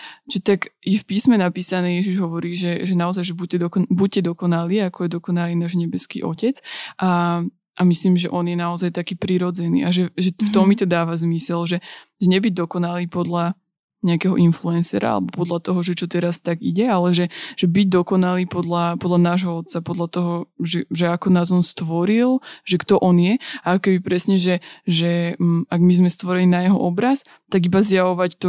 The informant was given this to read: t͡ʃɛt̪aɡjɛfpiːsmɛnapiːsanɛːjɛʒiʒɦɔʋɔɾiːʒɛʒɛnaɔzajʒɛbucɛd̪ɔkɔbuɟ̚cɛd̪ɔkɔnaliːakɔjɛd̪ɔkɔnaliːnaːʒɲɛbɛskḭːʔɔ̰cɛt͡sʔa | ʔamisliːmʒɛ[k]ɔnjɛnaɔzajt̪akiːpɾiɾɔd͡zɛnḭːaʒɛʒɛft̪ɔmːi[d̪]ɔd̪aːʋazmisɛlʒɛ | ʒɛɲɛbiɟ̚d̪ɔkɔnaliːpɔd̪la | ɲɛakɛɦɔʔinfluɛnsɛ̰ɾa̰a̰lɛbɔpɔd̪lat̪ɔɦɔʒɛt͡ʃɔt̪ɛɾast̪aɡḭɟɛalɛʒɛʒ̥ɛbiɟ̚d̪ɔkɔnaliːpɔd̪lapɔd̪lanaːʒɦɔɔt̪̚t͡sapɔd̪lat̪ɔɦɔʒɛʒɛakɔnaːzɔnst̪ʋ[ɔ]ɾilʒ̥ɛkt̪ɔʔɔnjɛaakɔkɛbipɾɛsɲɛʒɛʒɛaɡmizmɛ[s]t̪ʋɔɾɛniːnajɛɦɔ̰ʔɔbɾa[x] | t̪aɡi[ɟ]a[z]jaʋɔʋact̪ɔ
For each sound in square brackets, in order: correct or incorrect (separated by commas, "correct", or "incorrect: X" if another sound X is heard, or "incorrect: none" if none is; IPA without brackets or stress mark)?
incorrect: ʔ, incorrect: t̪, correct, correct, incorrect: s, incorrect: b, correct